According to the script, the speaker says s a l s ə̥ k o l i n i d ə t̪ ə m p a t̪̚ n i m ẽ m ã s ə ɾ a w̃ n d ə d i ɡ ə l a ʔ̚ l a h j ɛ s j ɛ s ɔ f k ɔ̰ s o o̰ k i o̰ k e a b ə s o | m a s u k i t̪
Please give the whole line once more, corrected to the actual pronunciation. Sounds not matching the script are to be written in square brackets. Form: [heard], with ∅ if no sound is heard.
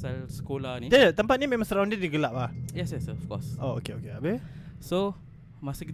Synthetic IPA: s a l s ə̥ k o l [a] n i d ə t̪ ə m p a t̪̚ n i m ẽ m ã s ə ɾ a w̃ n d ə d i ɡ ə l a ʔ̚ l a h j ɛ s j ɛ s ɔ f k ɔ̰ s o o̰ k [e] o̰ k e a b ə s o | m a s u k i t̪